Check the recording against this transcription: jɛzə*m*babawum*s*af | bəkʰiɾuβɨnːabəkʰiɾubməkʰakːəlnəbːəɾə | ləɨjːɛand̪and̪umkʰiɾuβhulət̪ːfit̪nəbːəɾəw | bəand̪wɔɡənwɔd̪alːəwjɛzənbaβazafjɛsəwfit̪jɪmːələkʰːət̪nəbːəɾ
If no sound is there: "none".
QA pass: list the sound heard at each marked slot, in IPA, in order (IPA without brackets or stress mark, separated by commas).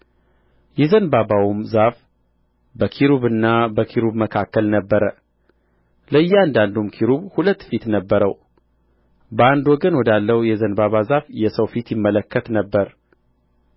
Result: n, z